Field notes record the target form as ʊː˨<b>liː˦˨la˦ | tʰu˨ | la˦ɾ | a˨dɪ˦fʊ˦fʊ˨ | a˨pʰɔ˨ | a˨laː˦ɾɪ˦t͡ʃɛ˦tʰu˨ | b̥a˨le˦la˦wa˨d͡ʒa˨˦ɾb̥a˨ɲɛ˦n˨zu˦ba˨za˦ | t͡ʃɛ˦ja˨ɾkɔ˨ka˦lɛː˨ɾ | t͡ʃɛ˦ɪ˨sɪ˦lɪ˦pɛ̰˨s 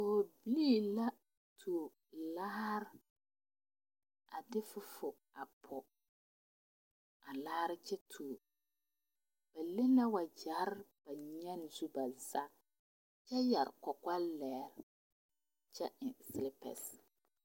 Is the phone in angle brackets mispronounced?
no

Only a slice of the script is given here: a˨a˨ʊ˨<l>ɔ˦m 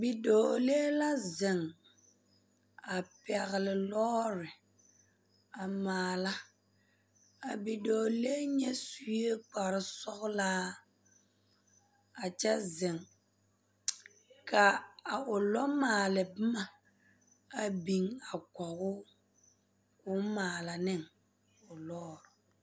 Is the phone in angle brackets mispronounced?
no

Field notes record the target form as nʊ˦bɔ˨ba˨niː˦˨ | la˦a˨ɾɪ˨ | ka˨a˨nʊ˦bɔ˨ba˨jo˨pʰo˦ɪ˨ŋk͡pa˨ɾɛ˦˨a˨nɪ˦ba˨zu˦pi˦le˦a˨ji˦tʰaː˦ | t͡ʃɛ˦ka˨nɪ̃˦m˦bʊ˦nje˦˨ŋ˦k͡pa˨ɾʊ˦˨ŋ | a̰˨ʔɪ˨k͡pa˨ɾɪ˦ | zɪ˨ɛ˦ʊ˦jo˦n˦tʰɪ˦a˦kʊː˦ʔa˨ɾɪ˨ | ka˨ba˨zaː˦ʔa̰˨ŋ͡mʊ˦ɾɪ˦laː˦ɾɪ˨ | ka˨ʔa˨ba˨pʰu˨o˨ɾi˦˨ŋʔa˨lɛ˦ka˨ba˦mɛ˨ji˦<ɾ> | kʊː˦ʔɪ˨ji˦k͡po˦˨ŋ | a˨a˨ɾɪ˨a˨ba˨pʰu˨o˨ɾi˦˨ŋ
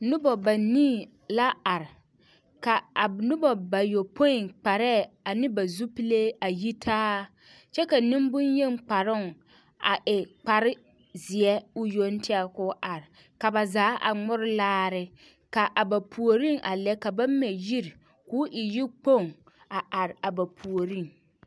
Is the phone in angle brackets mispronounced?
no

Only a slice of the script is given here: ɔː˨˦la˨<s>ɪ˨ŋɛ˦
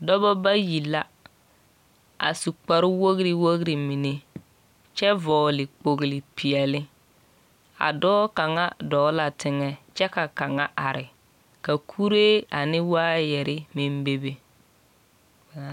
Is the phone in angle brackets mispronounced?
yes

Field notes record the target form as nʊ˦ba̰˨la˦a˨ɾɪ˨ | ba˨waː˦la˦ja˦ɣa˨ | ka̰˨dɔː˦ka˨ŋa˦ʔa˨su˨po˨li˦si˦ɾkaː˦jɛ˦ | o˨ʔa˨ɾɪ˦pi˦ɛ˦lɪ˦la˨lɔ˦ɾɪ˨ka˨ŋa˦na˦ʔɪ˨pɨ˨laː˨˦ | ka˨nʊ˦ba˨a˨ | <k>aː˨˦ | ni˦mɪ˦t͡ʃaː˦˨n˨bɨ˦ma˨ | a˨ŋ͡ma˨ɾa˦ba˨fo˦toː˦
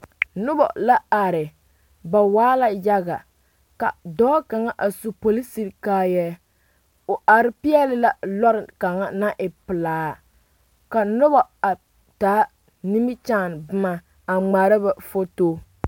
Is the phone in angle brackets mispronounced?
yes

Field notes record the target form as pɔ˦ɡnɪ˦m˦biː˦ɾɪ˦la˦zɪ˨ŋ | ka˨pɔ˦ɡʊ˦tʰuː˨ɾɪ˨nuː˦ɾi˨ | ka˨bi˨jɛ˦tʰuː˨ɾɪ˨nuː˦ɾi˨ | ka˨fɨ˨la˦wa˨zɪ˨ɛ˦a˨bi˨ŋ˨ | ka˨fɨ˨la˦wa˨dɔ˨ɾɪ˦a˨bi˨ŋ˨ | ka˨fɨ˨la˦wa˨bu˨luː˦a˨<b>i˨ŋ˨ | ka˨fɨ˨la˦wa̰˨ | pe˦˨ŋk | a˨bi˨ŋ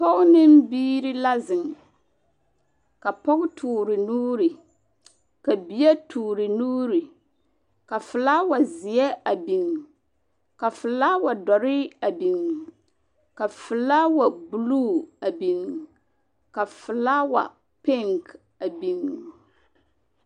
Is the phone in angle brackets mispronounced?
no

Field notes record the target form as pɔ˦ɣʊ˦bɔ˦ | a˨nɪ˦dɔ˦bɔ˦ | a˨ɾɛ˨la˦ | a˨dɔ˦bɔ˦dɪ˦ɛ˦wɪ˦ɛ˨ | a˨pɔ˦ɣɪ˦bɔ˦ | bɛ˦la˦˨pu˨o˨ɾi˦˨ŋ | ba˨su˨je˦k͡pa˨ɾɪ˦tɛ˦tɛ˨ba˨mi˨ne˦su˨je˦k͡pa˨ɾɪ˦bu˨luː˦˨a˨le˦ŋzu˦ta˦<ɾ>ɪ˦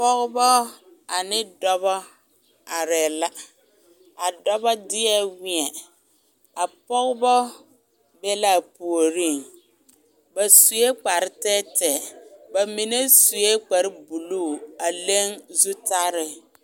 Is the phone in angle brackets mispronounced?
no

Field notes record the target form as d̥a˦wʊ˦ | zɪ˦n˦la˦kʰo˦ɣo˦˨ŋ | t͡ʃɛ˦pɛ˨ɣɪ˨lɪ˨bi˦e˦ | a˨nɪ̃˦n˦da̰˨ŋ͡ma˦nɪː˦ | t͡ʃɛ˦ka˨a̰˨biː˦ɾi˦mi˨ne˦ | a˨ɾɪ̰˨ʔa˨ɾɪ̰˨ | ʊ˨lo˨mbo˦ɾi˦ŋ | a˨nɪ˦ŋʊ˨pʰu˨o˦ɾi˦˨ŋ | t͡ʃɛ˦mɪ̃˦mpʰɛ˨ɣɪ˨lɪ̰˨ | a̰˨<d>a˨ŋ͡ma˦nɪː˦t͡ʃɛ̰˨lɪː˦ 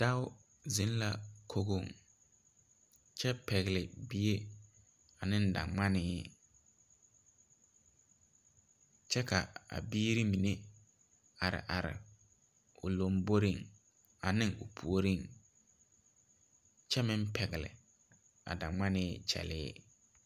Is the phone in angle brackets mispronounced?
no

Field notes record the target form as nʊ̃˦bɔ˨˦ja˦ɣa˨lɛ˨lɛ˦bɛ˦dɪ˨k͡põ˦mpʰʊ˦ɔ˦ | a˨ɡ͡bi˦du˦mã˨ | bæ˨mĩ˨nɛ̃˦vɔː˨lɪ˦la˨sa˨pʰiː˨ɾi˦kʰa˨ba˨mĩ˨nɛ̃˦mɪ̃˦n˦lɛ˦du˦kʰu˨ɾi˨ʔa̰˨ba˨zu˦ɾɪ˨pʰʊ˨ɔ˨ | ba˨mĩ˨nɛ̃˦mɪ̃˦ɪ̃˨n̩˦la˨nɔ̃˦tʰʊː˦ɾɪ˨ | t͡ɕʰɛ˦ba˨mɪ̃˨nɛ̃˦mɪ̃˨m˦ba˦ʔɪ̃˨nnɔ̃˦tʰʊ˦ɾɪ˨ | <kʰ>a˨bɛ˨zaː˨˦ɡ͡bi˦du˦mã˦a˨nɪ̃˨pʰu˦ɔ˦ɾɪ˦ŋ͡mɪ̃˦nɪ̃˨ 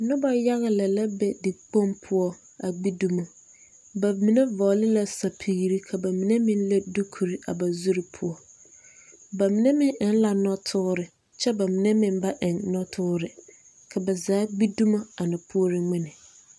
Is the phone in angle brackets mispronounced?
no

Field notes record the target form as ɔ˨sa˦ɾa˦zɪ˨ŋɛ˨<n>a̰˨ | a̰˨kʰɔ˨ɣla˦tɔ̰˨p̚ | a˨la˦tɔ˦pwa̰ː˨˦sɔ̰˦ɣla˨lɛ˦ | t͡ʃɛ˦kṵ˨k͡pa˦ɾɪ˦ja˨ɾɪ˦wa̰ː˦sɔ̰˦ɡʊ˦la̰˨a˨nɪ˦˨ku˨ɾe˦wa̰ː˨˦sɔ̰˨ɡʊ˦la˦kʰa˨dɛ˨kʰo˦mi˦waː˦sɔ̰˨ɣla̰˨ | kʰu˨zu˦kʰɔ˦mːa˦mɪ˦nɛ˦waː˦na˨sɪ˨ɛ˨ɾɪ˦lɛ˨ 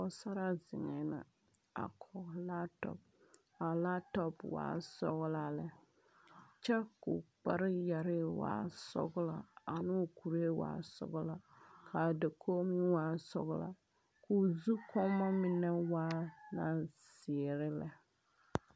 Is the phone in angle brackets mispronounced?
no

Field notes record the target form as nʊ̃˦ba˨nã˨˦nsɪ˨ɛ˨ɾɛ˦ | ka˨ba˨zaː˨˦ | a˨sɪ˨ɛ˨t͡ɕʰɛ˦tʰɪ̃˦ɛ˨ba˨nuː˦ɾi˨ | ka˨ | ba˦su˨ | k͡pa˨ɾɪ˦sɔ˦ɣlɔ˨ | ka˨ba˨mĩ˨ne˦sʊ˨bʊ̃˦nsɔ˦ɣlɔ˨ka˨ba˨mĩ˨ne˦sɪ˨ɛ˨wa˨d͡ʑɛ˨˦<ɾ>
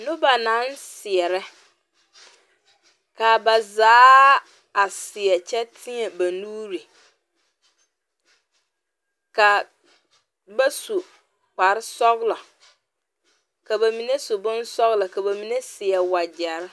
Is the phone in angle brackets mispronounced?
no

